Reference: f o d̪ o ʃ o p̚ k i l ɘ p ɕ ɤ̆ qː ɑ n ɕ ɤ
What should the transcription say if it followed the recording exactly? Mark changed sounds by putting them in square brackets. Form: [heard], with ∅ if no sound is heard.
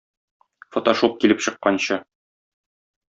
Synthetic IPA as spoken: f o [t̪] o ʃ o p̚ k i l ɘ p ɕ ɤ̆ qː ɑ n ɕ ɤ